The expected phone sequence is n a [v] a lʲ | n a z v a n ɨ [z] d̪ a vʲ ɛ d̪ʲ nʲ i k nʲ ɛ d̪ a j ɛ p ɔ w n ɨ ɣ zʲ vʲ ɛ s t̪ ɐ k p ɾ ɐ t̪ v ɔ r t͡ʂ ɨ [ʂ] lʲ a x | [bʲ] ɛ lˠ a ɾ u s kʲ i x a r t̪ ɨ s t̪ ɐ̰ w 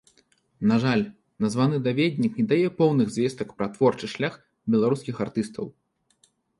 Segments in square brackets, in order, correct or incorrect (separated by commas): incorrect, incorrect, correct, correct